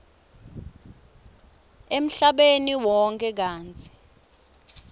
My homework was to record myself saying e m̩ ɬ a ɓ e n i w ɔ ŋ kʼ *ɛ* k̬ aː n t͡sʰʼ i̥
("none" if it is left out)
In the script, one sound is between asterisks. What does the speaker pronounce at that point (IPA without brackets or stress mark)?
ɛ